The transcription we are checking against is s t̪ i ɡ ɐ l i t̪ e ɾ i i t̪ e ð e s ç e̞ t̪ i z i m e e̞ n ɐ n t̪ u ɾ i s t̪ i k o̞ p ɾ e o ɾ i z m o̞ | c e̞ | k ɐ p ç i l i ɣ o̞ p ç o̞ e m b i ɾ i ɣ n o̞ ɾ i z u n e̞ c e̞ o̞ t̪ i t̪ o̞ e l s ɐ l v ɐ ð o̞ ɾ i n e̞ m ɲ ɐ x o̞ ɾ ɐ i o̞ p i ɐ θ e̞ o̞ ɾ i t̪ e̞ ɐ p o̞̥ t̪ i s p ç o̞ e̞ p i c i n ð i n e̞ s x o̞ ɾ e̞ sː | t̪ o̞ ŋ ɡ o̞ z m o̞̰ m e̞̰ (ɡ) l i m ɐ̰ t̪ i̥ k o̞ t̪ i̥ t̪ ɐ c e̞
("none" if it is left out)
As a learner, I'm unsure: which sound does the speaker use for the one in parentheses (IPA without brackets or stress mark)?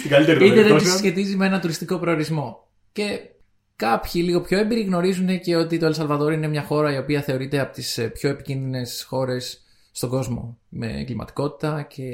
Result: ɡ